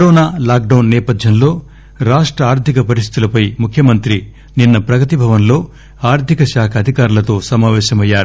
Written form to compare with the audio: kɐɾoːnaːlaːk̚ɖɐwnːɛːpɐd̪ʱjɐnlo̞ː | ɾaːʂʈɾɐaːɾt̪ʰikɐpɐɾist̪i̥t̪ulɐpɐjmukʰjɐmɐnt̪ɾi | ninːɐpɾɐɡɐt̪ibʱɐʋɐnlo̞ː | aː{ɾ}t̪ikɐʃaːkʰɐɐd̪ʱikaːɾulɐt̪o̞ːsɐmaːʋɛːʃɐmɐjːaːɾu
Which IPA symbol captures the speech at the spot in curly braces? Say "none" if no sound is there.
ɾ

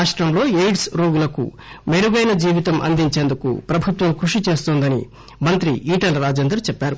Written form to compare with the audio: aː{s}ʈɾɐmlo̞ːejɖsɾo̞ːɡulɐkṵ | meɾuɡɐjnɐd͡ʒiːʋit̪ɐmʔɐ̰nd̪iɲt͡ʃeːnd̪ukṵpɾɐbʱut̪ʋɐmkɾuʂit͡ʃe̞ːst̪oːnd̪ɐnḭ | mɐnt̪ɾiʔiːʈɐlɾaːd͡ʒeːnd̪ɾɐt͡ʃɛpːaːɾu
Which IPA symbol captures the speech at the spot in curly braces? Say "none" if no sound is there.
ʂ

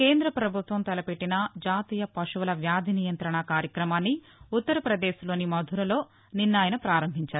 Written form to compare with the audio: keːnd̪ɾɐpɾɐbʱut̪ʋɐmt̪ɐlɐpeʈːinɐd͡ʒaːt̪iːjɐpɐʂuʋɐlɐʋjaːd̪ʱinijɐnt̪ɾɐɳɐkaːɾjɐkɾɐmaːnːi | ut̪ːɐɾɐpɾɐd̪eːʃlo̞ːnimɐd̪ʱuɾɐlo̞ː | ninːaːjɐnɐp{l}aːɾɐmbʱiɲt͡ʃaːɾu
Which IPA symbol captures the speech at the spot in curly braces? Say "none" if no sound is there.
ɾ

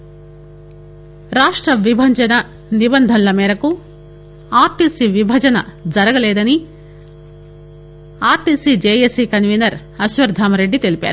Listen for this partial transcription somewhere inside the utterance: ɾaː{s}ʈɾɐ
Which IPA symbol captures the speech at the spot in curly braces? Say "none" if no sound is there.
ʂ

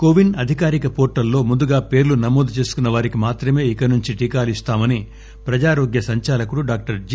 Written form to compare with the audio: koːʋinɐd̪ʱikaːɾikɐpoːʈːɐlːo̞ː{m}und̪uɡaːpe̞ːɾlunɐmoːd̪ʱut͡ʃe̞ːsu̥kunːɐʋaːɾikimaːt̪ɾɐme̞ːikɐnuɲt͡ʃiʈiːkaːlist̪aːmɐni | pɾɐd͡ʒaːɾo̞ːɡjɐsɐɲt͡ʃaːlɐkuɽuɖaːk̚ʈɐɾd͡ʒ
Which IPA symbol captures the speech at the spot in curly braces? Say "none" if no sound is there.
m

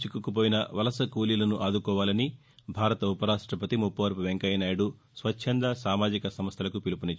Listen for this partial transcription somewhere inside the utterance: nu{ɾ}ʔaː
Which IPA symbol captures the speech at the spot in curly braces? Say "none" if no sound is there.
none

